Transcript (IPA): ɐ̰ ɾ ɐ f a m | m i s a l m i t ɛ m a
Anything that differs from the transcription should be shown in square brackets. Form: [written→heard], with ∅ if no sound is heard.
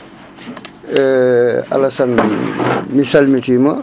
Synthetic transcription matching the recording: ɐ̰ [ɾ→l] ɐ [f→s] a [m→n] | m i s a l m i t [ɛ→i] m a